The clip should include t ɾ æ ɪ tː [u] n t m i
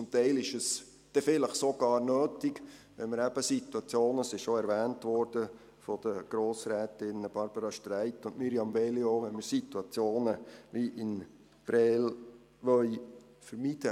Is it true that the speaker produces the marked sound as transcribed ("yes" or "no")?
no